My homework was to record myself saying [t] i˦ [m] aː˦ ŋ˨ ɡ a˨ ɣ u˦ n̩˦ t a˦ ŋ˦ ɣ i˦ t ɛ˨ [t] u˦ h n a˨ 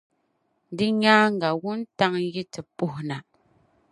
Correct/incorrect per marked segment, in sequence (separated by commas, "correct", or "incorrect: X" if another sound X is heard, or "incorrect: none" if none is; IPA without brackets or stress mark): incorrect: d, incorrect: ɲ, incorrect: p